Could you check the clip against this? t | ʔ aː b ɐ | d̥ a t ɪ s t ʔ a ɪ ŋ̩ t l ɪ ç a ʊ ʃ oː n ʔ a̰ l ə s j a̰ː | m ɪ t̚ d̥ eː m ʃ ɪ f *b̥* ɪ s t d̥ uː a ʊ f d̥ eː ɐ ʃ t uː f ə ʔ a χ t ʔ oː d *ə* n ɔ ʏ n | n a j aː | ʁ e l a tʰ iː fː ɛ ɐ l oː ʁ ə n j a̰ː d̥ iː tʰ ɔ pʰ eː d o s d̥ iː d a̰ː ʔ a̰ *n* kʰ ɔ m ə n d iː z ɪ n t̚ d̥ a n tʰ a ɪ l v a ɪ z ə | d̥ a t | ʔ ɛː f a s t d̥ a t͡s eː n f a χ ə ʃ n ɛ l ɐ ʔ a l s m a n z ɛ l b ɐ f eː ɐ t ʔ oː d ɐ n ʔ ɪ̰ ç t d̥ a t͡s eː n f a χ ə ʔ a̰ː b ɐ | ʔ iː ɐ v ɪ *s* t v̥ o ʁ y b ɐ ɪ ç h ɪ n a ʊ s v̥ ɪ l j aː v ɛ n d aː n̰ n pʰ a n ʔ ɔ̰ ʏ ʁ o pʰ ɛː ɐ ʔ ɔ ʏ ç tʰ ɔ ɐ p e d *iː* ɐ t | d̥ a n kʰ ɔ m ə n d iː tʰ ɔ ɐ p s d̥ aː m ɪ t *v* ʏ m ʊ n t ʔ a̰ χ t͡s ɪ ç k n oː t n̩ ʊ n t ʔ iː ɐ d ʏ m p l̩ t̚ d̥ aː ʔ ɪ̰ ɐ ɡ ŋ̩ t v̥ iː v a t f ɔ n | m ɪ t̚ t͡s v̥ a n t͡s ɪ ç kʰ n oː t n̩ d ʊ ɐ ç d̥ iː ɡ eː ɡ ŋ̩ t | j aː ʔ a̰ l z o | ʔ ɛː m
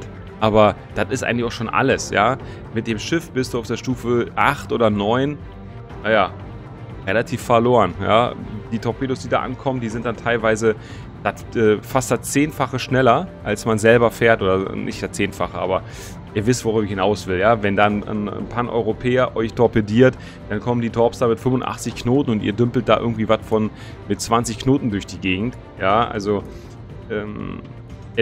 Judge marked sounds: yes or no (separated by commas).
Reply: yes, no, yes, yes, yes, no